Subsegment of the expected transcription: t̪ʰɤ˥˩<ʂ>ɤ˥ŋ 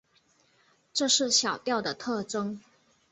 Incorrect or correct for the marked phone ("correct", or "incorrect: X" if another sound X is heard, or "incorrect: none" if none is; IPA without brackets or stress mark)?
incorrect: ʈ͡ʂ